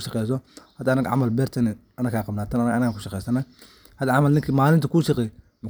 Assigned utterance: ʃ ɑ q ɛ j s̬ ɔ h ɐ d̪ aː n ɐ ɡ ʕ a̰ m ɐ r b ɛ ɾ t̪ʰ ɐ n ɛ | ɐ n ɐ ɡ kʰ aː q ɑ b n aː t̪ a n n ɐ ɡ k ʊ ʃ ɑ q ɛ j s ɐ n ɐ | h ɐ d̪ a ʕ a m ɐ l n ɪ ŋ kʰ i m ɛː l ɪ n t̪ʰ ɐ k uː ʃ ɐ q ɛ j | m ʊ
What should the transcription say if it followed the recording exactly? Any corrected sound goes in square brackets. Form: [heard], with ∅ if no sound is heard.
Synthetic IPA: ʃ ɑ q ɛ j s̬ ɔ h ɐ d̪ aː n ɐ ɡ ʕ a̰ m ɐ [l] b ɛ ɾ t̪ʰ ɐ n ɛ | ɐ n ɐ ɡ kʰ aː q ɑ b n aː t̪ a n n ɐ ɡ k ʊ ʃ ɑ q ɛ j s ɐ n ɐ | h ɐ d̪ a ʕ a m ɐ l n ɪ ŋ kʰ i m [aː] l ɪ n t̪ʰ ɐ k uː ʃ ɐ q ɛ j | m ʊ